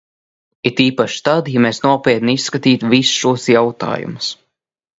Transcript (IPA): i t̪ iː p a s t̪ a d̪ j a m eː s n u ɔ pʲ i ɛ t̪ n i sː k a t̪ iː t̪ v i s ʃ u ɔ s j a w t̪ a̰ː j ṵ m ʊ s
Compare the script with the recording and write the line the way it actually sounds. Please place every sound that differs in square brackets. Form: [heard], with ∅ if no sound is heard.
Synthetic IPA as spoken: i t̪ iː p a [ʃ] t̪ a d̪ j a m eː s n u ɔ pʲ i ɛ t̪ n i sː k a t̪ iː t̪ v i s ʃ u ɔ s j a w t̪ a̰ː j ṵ m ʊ s